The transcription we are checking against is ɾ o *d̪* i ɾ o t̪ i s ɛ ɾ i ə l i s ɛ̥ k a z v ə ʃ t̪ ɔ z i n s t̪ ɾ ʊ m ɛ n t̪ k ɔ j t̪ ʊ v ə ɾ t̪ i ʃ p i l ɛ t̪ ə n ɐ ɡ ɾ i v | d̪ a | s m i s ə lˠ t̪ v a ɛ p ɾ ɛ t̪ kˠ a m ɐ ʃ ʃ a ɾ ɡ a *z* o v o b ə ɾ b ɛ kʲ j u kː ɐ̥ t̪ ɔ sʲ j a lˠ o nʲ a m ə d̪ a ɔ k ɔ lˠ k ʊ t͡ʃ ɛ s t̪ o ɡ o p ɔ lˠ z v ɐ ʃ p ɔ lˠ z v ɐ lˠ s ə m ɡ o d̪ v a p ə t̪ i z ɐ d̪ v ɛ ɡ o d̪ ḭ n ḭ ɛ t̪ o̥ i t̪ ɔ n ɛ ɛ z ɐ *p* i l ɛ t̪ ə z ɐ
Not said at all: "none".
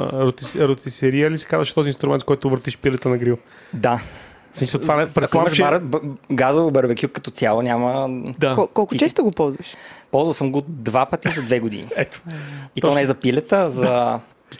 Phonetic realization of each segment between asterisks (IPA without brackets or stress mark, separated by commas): t̪, z, p